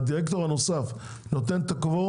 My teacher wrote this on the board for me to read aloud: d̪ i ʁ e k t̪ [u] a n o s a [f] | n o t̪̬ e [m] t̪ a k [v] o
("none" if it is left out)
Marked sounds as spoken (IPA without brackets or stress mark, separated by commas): o, f, n, v